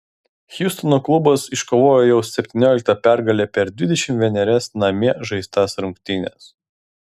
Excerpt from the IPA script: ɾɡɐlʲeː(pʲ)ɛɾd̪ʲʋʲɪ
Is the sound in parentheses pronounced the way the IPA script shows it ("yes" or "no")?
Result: yes